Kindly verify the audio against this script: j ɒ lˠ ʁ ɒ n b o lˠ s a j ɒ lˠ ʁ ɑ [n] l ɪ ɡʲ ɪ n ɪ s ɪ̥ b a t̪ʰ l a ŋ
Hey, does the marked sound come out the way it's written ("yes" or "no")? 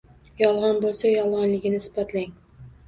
yes